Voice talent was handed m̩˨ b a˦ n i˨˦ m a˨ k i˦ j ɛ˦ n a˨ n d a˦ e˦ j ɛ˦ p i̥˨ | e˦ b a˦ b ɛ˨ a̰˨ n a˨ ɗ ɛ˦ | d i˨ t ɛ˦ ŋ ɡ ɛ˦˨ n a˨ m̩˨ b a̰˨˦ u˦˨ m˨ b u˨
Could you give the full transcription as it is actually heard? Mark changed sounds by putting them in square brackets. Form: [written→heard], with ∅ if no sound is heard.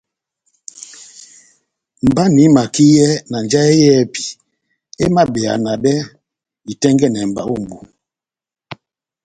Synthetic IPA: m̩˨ b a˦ n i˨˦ m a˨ k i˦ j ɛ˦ n a˨ n [d→d͡ʒ] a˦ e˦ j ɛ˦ p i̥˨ | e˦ [b→m] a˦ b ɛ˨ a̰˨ n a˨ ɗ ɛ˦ | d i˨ t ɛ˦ ŋ ɡ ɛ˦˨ n [a˨→ɛ˨] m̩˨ b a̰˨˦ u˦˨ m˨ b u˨